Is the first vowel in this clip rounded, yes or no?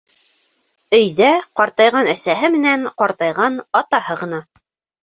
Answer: yes